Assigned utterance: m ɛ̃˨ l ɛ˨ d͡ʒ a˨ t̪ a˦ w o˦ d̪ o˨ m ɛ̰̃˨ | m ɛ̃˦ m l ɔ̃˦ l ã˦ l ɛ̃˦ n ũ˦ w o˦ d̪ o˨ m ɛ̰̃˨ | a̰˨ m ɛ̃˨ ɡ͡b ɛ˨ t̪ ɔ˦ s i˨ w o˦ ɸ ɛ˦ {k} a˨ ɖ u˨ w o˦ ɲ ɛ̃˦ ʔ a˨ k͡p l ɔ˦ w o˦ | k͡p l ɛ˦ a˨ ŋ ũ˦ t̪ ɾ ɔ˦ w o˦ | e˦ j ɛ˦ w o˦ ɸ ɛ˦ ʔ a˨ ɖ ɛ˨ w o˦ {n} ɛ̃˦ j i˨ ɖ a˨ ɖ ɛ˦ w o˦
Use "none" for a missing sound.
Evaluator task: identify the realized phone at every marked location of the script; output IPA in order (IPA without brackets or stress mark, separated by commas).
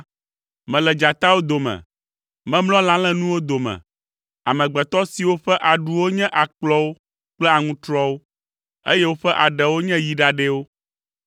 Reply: ʔ, ɲ